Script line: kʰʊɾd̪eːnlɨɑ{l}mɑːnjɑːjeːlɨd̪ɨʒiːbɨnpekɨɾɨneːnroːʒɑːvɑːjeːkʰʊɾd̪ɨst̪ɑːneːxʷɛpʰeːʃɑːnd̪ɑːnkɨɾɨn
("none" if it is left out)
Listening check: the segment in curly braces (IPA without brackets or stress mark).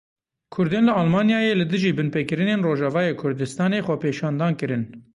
l